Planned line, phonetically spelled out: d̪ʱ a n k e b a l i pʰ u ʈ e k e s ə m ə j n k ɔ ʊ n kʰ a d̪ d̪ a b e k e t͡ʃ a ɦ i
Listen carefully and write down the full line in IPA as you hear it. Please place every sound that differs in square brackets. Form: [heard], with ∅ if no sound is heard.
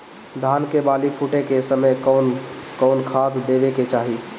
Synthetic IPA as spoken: d̪ʱ a n k e b a l i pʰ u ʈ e k e s ə m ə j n k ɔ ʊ n kʰ a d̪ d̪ [e] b e k e t͡ʃ a ɦ i